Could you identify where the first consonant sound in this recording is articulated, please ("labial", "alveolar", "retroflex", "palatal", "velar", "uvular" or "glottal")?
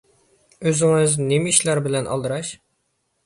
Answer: alveolar